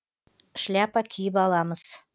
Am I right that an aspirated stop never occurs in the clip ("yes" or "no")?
no